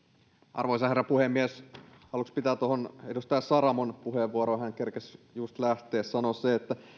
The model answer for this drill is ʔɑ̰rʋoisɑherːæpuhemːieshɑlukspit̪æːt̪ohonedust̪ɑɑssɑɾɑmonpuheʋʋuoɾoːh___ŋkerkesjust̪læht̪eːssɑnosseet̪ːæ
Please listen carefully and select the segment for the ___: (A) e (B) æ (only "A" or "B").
B